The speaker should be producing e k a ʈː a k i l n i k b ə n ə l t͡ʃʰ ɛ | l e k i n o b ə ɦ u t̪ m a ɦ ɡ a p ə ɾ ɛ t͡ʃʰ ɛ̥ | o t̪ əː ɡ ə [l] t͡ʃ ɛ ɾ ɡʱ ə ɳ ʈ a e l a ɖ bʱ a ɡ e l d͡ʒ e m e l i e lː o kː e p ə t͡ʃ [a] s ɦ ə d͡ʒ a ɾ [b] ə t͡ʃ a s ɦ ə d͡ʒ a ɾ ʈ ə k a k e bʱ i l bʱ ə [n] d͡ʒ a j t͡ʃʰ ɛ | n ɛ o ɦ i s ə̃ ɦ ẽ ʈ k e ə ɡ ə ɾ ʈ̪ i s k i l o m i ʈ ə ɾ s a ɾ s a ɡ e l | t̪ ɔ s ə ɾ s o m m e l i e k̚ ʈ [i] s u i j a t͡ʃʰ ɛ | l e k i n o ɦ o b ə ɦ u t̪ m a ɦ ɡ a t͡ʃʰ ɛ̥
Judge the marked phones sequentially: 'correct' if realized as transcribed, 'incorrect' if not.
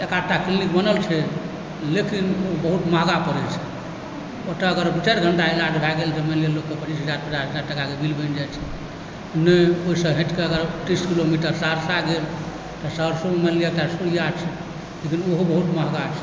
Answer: incorrect: ɾ, incorrect: i, incorrect: p, correct, incorrect: a

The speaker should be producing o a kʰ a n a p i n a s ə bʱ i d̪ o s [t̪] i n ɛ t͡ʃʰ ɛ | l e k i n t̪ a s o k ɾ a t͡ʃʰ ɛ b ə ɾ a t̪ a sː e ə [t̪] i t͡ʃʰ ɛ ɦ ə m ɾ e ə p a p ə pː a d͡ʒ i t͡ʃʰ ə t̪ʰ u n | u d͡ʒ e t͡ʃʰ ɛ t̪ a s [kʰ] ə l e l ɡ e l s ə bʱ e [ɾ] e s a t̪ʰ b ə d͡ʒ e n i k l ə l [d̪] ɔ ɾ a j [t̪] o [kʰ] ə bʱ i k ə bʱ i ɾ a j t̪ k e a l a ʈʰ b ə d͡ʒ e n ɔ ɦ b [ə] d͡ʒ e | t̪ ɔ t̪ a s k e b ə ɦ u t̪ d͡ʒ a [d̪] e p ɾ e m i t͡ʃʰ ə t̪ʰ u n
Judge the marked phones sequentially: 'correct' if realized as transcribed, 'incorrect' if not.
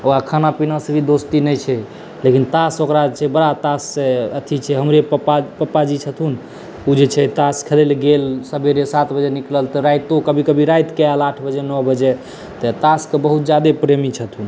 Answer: correct, incorrect: t̪ʰ, correct, correct, incorrect: t̪, correct, incorrect: k, correct, correct

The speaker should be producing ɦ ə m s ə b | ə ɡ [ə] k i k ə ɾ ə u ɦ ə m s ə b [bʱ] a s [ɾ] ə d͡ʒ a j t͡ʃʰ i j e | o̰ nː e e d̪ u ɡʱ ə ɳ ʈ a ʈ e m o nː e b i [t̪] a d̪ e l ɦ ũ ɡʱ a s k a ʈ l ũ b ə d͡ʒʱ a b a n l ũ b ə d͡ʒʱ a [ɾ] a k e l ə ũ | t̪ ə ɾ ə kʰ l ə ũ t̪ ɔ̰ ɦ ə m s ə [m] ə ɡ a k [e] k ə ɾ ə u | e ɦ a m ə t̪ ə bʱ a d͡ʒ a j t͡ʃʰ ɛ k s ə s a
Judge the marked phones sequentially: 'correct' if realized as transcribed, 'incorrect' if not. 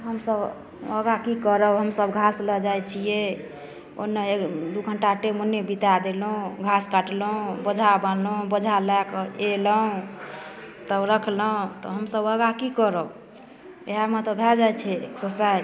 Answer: incorrect: a, incorrect: ɡʱ, incorrect: l, correct, incorrect: l, incorrect: b, incorrect: i

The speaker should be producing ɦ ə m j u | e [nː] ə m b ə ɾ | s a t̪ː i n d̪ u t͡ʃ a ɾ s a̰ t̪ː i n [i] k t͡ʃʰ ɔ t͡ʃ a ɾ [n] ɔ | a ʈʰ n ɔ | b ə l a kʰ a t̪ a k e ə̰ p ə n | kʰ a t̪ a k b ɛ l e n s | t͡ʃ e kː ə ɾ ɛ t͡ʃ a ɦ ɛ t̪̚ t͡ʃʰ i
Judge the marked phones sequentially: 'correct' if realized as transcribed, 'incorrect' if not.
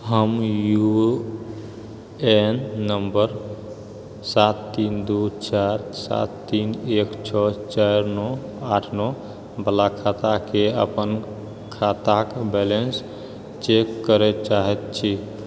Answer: correct, incorrect: e, correct

